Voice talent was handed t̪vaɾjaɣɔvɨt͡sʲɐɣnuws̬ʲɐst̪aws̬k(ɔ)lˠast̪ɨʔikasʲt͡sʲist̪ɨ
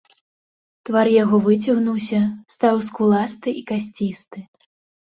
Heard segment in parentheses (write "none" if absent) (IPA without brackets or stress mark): u